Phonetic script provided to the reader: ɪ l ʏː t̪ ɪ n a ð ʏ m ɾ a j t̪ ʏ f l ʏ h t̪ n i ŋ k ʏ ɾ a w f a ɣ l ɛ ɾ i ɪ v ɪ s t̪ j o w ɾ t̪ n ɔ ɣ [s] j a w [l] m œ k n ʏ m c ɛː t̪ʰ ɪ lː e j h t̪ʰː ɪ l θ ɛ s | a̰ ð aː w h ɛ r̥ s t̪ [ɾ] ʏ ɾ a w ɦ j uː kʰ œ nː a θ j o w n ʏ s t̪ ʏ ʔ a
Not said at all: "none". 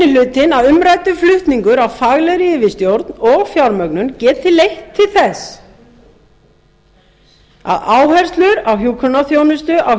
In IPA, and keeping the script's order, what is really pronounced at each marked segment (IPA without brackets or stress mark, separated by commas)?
f, ɾ, l